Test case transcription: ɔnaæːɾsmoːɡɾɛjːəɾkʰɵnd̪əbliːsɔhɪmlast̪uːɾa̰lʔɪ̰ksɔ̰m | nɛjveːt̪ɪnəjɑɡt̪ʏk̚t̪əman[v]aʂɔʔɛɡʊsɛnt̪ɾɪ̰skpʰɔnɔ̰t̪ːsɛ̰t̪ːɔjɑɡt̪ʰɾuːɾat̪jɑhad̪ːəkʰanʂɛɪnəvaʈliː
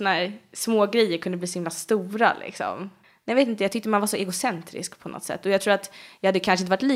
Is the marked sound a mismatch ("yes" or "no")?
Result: no